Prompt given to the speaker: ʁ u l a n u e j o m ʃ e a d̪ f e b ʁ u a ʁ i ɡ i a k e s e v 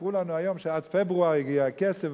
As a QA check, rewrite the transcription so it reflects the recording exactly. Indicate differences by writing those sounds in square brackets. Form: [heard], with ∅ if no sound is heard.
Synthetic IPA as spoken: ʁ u l a n u [a] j o m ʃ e a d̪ f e b ʁ u a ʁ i ɡ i a k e s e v